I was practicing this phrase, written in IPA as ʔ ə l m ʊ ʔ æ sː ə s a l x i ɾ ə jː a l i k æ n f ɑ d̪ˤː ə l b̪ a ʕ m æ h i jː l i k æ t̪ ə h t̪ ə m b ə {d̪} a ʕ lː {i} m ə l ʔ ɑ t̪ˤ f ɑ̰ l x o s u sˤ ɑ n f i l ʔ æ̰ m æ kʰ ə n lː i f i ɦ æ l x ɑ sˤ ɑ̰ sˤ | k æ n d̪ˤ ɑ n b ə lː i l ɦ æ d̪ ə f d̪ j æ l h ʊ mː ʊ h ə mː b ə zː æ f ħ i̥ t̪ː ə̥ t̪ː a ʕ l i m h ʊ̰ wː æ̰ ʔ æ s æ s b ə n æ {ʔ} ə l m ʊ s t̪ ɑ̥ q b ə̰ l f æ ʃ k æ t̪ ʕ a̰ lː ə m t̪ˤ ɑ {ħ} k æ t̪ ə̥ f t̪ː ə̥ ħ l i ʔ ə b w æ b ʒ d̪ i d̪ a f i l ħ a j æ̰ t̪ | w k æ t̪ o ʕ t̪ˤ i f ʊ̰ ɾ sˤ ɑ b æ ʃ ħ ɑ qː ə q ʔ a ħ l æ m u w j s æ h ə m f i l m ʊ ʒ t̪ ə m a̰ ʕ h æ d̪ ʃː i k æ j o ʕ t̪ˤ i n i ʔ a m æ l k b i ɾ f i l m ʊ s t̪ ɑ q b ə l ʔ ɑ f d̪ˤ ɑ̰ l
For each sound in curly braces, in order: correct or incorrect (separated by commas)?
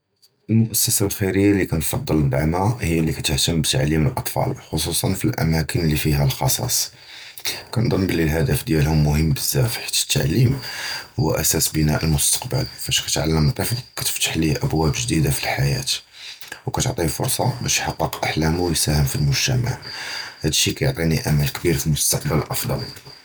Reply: incorrect, correct, correct, incorrect